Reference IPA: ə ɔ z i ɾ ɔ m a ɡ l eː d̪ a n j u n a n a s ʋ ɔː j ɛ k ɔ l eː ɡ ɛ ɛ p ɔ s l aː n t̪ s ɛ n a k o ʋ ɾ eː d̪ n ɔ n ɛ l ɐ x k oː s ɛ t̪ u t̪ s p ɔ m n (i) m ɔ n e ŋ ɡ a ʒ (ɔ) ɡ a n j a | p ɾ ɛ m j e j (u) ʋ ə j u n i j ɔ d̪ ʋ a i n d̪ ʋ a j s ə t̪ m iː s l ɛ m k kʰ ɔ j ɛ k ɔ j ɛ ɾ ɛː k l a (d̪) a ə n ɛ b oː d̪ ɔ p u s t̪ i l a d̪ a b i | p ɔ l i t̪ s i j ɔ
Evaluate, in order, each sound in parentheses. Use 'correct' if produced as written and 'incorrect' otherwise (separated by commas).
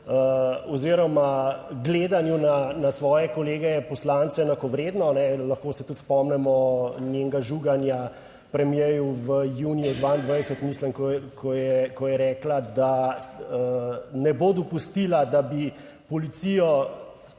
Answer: incorrect, incorrect, correct, correct